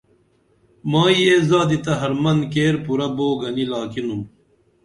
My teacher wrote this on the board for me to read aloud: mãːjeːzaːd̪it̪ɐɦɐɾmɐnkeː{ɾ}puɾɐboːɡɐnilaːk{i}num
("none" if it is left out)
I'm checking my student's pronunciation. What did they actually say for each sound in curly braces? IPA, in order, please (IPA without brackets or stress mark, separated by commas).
ɾ, i